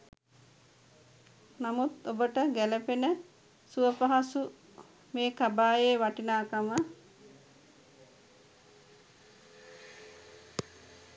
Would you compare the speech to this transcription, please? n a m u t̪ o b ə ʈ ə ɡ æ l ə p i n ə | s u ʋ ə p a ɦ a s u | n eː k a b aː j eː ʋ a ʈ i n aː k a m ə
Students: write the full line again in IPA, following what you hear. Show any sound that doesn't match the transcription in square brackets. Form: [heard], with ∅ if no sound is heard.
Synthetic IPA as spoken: n a m u t̪ o b ə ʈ ə ɡ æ l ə p [e] n ə | s u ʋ ə p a ɦ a s u | [m] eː k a b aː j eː ʋ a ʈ i n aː k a m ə